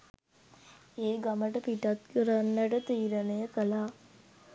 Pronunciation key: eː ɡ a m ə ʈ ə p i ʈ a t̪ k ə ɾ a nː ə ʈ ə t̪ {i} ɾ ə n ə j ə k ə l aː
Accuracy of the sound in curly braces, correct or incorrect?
incorrect